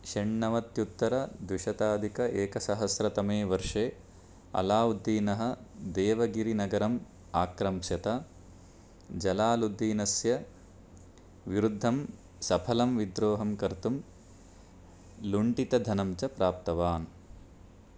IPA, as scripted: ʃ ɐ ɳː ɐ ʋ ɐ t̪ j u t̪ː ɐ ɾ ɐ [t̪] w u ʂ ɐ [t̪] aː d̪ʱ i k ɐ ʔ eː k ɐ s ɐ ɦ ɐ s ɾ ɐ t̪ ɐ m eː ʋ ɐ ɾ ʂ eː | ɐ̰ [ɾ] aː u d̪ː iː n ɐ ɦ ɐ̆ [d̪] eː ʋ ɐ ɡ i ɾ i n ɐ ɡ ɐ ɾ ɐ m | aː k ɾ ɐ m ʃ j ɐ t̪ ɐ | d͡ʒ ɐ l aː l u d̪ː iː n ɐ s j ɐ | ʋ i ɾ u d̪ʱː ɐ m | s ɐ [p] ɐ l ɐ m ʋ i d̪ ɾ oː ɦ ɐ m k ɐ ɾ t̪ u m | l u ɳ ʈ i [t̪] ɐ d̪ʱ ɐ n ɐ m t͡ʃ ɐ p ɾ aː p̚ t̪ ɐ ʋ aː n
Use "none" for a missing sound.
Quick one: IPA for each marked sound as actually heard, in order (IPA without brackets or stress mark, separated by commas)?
d̪, t̪, l, d̪, pʰ, t̪